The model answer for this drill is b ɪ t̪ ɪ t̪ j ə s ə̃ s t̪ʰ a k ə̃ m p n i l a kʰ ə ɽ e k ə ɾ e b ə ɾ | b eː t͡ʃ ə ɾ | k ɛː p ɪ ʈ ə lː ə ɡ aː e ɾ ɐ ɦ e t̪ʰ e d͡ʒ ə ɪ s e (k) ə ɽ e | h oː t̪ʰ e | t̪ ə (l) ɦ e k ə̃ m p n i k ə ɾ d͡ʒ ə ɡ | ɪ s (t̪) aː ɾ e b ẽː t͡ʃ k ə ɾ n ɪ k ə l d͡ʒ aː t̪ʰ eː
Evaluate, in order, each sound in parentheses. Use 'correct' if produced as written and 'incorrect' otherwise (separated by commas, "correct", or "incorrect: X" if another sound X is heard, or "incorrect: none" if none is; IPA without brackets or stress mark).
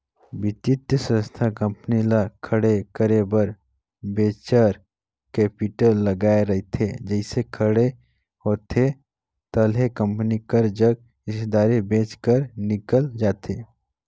incorrect: kʰ, correct, incorrect: d̪